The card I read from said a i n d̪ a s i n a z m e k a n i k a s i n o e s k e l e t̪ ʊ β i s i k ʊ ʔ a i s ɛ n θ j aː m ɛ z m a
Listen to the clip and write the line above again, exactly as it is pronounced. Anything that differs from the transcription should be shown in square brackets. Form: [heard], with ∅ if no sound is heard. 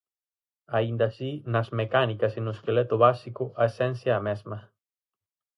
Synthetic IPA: a i n d̪ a s i n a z m e k a n i k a s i n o e s k e l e t̪ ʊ β [a] s i k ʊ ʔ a [e] s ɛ n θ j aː m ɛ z m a